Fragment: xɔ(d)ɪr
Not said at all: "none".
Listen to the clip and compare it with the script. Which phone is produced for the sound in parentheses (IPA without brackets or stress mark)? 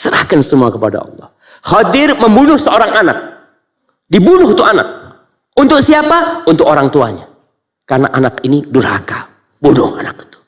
d